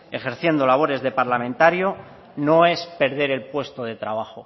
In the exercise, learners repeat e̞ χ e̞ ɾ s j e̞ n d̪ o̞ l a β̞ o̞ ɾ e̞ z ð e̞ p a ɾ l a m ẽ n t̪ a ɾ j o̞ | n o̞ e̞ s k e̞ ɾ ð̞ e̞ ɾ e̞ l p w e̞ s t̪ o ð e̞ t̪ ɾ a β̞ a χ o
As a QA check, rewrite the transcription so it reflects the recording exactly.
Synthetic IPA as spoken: e̞ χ e̞ ɾ θ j e̞ n d̪ o̞ l a β̞ o̞ ɾ e̞ z ð e̞ p a ɾ l a m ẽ n t̪ a ɾ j o̞ | n o̞ e̞ s p e̞ ɾ ð̞ e̞ ɾ e̞ l p w e̞ s t̪ o ð e̞ t̪ ɾ a β̞ a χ o